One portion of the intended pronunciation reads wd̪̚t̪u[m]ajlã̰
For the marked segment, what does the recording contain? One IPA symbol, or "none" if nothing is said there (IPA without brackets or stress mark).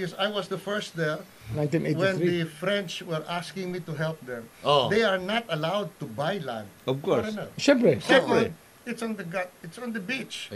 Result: b